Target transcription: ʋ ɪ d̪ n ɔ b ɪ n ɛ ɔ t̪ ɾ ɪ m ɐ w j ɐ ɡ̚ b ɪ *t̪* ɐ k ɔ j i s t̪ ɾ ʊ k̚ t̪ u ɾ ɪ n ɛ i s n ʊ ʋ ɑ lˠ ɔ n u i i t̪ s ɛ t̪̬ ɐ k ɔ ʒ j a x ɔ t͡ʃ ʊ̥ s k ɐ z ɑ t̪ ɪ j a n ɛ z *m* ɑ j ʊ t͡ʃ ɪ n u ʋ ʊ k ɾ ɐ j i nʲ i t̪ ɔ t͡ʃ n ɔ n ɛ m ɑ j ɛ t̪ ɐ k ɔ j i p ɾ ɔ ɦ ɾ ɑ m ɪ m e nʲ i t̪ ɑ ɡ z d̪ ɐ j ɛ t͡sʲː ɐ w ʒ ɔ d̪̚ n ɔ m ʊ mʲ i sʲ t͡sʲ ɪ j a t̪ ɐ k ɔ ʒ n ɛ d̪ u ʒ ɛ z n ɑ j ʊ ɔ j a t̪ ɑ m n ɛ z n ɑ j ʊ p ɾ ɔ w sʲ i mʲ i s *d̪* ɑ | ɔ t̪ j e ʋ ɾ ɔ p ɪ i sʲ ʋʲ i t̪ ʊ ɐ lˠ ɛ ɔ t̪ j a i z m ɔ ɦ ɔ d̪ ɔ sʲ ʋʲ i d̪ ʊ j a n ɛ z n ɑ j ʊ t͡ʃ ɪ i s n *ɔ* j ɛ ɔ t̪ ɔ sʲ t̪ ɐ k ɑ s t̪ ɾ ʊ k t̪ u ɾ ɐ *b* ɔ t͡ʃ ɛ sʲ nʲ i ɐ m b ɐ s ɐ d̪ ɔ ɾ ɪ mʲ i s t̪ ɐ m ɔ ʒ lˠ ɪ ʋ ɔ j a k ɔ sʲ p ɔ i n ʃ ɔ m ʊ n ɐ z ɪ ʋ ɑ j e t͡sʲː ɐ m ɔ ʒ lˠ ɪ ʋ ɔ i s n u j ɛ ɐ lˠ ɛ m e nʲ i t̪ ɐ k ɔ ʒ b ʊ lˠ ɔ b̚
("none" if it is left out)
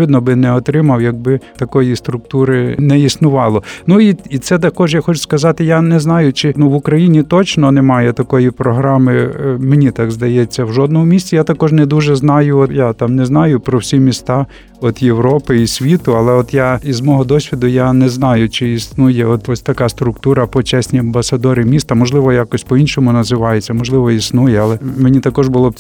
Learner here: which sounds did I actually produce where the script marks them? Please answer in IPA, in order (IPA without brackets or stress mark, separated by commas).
t̪, n, t̪, u, p